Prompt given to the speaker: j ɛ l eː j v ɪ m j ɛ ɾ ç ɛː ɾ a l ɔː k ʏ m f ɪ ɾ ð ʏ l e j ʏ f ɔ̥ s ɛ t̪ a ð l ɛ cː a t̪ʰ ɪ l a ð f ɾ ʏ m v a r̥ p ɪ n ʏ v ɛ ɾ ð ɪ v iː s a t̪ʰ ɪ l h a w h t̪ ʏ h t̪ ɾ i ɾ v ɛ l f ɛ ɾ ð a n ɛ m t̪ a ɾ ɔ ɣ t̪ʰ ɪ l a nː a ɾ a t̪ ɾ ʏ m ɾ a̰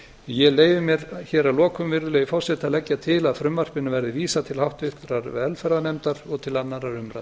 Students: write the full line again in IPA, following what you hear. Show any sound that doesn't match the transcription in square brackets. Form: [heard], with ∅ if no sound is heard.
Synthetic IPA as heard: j ɛ l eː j v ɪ m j ɛ ɾ ç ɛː ɾ a l ɔː k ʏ m [v] ɪ ɾ ð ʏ l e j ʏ f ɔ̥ s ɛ t̪ a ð l ɛ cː a t̪ʰ ɪ l a ð f ɾ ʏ m v a r̥ p ɪ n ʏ v ɛ ɾ ð ɪ v iː s a t̪ʰ ɪ l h a w h t̪ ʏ h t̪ ɾ [a] ɾ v ɛ l f ɛ ɾ ð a n ɛ m t̪ a ɾ ɔ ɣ t̪ʰ ɪ l a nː a ɾ a [∅] ɾ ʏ m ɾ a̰